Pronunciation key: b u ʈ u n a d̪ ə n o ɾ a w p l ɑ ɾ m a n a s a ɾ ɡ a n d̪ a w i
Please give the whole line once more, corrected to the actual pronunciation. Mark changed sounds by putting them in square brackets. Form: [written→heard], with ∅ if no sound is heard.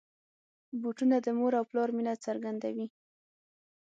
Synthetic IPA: b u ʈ u n a d̪ ə [n→m] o ɾ a w p l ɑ ɾ m [a→i] n a [s→t͡s] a ɾ ɡ a n d̪ a w i